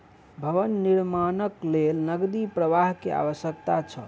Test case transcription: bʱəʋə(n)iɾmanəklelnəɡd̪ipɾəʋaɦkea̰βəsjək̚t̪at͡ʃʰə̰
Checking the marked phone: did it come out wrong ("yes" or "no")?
yes